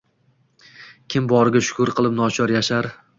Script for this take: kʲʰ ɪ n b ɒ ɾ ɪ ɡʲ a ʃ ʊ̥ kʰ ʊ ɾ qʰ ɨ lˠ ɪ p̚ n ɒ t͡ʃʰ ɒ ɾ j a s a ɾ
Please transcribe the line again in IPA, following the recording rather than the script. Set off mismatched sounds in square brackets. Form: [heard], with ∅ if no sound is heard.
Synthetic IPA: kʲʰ ɪ [m] b ɒ ɾ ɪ ɡʲ a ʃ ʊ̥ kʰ ʊ ɾ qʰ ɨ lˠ ɪ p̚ n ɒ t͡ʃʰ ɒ ɾ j a [ʃ] a ɾ